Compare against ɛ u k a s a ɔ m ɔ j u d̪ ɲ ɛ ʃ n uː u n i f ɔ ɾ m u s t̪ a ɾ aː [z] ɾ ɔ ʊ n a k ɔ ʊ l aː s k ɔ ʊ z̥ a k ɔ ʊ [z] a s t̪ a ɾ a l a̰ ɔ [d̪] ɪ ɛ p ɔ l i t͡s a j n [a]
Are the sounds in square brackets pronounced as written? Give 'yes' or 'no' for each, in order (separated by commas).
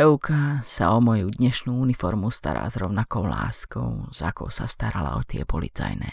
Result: yes, no, no, no